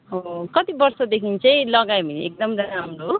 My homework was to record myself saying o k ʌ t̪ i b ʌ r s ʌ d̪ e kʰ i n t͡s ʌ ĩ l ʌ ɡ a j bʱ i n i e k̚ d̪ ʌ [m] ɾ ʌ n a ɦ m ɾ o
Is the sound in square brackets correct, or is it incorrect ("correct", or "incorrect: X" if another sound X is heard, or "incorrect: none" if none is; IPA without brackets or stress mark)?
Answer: correct